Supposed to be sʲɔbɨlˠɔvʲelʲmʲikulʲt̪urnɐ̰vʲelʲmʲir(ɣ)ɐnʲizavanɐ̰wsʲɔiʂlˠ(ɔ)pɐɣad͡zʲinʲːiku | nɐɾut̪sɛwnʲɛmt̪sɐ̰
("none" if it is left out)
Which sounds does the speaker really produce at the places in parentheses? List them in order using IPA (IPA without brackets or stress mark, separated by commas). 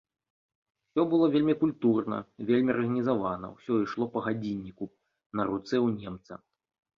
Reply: ɣ, ɔ